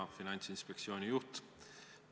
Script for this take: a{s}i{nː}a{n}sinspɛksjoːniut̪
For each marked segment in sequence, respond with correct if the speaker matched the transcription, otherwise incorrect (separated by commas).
incorrect, incorrect, correct